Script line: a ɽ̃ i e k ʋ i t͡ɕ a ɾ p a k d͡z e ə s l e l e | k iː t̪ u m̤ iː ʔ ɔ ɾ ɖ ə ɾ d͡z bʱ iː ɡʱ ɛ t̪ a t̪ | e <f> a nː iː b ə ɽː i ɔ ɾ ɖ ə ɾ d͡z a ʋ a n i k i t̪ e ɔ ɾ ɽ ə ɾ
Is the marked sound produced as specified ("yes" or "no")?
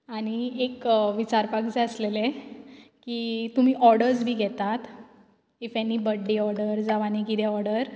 yes